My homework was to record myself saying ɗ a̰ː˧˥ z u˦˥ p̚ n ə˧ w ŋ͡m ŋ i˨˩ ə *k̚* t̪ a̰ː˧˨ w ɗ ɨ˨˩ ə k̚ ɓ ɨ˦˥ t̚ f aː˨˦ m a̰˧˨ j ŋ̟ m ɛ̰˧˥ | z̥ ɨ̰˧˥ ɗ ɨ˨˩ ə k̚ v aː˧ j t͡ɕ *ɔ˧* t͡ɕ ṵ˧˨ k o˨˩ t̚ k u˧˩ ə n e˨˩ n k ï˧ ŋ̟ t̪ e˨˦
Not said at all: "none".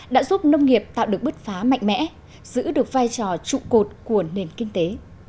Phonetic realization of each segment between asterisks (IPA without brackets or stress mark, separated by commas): p̚, ɔ˨˩